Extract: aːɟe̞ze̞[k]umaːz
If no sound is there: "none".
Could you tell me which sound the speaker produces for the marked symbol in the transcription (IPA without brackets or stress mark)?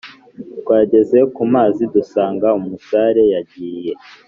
k